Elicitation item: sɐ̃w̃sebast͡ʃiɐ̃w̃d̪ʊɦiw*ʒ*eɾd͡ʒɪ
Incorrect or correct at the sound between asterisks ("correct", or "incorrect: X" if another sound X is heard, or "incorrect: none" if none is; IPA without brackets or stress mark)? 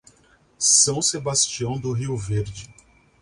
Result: incorrect: v